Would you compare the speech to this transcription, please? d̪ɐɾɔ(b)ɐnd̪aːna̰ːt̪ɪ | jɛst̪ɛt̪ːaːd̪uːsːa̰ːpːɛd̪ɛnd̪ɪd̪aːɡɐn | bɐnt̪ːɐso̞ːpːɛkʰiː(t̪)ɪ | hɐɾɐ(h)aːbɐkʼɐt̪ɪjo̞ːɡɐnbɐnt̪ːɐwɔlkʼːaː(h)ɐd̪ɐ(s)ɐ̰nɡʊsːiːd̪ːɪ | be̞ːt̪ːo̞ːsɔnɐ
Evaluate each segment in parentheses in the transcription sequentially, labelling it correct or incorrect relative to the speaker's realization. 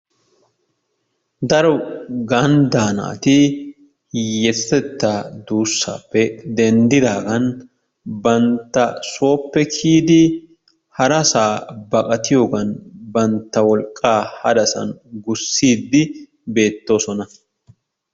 incorrect: ɡ, incorrect: d̪, incorrect: s, correct, correct

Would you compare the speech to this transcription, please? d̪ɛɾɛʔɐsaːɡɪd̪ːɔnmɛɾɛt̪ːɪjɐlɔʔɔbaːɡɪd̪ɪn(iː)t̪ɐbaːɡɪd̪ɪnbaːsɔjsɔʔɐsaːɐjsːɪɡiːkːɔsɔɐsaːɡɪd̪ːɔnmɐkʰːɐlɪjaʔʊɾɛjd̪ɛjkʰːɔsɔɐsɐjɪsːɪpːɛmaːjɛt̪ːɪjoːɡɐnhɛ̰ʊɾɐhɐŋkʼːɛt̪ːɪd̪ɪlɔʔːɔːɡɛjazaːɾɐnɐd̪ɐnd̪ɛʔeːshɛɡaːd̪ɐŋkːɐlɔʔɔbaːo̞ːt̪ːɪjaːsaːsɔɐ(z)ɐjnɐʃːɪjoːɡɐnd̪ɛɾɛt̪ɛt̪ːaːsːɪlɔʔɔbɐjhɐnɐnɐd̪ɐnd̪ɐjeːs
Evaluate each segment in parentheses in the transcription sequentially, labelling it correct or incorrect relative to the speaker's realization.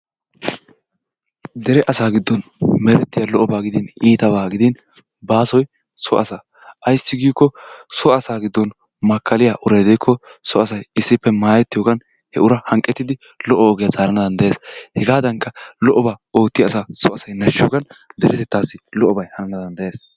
correct, incorrect: s

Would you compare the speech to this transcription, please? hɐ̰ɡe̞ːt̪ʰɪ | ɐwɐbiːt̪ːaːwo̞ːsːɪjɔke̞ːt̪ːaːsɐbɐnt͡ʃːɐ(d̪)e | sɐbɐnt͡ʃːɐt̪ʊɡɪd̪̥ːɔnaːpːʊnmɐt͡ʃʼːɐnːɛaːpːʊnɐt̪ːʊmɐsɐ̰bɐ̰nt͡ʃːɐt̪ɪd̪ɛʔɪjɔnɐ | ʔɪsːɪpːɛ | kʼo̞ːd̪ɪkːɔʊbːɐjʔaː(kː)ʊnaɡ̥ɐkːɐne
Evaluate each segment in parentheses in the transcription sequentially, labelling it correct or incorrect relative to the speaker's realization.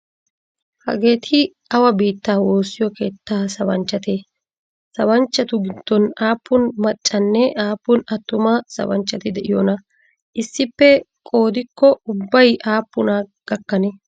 incorrect: t̪, incorrect: pː

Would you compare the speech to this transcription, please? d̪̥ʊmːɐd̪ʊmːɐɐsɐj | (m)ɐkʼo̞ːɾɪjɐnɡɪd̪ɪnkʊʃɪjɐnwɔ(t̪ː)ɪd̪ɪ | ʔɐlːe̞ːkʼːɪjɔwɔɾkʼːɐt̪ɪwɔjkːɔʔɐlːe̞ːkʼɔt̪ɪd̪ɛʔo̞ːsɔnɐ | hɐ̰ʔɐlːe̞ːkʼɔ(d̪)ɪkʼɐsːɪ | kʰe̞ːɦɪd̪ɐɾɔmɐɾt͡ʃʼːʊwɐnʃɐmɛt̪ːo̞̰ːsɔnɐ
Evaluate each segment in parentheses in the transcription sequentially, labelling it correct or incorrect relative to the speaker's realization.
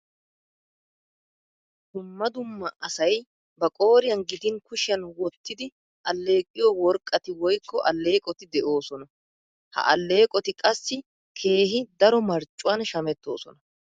incorrect: b, correct, incorrect: t̪

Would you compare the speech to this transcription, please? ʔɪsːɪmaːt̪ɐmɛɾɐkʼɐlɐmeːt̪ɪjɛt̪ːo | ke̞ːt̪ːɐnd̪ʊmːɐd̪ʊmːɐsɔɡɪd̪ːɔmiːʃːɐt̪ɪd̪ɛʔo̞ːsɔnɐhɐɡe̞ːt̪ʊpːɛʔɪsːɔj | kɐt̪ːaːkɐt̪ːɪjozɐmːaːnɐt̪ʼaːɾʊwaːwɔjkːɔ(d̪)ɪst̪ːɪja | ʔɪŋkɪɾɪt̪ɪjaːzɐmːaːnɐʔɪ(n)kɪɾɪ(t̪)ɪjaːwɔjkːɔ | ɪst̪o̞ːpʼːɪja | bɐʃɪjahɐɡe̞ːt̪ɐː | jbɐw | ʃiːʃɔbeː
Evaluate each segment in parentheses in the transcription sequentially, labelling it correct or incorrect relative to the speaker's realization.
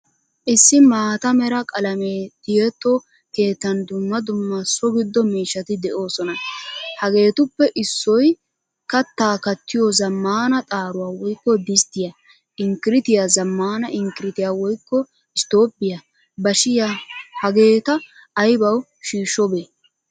correct, incorrect: ŋ, correct

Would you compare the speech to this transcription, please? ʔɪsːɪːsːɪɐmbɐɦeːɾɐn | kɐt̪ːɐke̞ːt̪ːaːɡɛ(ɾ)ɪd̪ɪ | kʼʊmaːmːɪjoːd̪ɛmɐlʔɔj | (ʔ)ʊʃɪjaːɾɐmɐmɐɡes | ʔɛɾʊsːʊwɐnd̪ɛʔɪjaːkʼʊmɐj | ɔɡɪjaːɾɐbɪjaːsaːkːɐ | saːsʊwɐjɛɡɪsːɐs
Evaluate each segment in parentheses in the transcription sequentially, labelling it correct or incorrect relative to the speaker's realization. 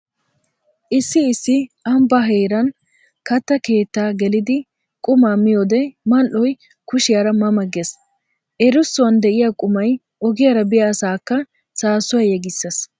incorrect: l, incorrect: k

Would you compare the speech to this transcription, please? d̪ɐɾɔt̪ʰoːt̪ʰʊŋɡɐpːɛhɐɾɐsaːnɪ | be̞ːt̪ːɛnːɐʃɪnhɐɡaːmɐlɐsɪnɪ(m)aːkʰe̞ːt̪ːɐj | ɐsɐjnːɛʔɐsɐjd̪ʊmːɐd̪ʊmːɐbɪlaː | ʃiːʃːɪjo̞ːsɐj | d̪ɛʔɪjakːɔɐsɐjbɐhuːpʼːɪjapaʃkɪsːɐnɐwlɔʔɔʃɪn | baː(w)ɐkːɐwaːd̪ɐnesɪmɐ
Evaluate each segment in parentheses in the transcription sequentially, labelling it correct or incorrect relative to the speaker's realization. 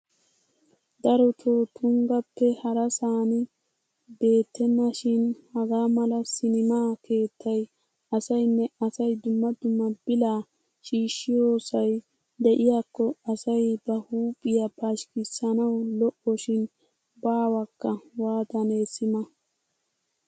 correct, correct

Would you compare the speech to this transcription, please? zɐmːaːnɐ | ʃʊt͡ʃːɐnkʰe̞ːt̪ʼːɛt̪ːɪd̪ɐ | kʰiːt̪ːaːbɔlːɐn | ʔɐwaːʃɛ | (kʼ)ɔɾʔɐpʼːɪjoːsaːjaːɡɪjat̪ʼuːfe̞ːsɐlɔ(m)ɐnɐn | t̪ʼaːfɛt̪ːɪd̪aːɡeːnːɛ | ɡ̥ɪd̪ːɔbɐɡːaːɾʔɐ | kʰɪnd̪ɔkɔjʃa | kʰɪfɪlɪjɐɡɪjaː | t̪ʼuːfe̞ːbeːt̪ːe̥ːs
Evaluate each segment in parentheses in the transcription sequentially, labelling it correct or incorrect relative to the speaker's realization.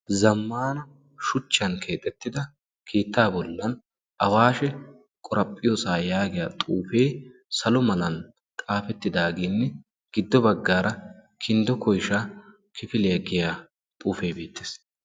correct, correct

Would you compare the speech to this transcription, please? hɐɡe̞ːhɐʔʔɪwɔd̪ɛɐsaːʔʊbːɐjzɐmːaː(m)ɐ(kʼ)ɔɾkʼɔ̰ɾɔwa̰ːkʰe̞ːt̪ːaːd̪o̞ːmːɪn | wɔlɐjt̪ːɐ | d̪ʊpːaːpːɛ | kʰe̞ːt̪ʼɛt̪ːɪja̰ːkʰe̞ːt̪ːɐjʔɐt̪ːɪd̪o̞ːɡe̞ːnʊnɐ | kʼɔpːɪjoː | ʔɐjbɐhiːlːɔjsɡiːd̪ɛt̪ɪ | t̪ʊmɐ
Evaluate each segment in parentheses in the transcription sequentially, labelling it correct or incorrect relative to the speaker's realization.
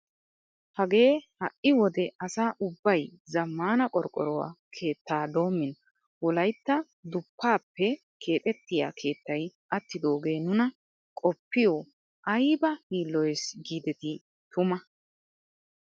incorrect: n, correct

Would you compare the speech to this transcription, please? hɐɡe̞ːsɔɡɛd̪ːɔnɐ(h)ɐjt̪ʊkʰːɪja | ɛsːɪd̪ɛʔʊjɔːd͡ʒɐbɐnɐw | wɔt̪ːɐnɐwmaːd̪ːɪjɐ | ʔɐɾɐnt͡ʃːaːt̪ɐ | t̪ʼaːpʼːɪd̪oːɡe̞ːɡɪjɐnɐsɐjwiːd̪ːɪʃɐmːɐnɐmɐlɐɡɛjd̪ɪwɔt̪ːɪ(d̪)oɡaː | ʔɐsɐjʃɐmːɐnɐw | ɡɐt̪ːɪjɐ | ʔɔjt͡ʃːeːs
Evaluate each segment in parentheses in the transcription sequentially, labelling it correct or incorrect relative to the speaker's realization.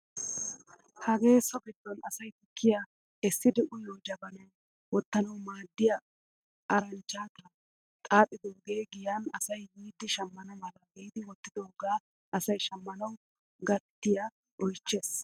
incorrect: s, correct

